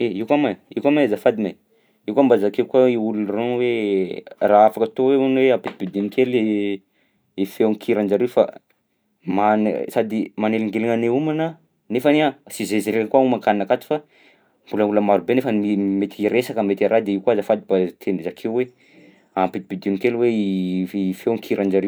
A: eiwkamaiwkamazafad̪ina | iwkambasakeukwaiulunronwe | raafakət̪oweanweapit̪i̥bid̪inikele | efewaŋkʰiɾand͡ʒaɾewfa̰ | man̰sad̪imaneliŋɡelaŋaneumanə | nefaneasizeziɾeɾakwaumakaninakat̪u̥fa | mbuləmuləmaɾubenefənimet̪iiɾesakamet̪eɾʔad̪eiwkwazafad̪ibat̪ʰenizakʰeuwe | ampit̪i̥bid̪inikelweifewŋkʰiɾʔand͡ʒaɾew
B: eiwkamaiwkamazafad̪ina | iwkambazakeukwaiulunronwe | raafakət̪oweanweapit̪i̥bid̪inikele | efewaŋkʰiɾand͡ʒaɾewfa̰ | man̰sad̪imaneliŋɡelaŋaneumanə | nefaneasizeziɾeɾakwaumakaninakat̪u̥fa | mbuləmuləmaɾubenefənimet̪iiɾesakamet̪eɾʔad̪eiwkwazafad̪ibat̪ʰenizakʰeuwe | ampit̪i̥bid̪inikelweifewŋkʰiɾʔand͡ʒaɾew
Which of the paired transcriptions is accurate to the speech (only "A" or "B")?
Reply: B